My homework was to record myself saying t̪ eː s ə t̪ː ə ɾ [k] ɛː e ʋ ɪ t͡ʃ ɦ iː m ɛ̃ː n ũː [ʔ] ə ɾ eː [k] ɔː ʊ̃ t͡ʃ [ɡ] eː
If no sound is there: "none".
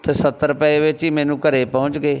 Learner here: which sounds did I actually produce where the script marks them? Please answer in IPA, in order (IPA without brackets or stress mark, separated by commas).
p, k, p, ɡ